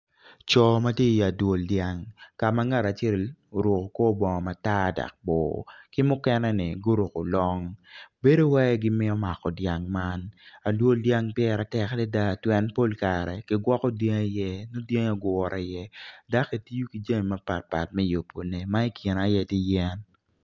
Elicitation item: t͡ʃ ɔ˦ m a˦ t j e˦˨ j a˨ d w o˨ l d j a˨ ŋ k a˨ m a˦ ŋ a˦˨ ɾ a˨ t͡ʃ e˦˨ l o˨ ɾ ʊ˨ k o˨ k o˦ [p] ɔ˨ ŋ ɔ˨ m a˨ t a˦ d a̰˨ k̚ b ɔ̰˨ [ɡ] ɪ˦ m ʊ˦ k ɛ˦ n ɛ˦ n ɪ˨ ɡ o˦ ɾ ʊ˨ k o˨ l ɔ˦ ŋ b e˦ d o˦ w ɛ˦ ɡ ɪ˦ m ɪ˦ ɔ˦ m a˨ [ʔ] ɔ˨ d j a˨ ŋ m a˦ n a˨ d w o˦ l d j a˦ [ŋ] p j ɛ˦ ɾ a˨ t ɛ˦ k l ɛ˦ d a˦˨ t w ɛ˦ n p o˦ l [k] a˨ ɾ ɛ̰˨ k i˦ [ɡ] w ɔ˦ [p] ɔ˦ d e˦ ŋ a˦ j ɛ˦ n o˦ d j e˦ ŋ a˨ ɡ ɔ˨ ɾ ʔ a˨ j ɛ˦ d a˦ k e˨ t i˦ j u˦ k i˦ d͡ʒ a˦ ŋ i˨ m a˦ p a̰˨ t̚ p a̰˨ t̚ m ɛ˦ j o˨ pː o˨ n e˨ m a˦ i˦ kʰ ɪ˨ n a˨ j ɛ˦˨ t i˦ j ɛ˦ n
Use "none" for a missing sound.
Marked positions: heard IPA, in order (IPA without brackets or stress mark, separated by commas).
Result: b, k, k, ŋ, k, ɡ, k